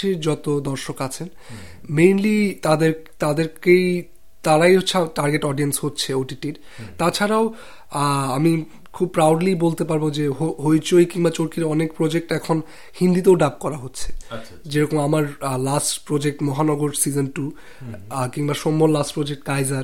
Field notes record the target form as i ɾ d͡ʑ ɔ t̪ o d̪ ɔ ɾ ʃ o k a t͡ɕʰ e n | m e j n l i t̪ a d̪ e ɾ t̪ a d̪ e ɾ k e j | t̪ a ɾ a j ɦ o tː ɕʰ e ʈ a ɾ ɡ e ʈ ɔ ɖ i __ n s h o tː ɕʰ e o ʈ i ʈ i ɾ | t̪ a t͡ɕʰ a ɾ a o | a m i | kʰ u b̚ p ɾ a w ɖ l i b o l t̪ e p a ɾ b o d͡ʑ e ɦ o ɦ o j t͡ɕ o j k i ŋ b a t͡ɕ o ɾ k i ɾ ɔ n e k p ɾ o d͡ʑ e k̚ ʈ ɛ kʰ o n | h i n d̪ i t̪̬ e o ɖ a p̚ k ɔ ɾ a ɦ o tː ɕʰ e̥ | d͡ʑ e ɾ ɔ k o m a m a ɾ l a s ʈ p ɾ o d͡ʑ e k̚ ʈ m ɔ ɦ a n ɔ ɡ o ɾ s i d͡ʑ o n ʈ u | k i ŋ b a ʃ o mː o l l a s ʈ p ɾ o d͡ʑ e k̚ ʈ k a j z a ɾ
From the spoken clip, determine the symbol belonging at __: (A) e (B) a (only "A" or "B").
A